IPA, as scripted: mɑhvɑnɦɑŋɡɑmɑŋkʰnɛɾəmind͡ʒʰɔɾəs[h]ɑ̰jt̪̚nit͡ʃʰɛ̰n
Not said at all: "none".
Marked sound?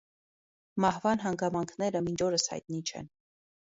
h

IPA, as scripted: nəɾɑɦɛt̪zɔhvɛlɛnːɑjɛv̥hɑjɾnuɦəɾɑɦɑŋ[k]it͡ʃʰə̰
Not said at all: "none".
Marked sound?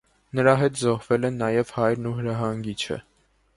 ɡ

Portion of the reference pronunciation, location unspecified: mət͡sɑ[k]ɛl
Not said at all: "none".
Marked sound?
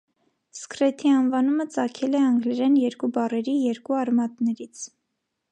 kʰ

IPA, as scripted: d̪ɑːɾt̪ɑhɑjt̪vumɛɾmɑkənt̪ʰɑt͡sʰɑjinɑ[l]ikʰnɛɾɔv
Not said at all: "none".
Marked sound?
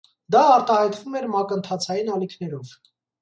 l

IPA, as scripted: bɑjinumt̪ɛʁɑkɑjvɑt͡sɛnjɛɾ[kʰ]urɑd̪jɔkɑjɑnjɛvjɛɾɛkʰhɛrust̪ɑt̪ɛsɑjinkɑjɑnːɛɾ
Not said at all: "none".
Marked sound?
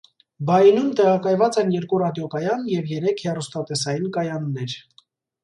k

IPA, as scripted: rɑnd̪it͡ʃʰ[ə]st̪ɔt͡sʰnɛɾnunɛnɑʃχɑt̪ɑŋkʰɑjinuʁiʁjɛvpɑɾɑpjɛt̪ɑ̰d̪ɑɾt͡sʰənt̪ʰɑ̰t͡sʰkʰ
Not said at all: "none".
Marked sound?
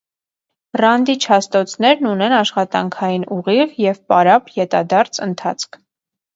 ɑ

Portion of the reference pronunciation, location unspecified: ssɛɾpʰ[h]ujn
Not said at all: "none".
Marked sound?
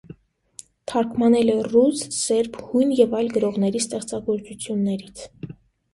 h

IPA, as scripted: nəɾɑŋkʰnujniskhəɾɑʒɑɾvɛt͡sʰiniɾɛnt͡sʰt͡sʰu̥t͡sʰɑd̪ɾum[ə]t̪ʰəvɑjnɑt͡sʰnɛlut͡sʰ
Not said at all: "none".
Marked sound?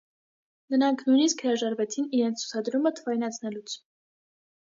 ə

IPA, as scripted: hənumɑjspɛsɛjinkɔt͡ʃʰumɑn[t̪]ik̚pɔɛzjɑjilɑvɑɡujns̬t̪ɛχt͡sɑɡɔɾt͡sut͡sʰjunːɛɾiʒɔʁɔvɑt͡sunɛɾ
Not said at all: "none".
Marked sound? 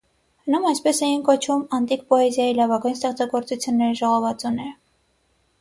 t̪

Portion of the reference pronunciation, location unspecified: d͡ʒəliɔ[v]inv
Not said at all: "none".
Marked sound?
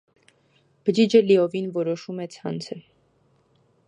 v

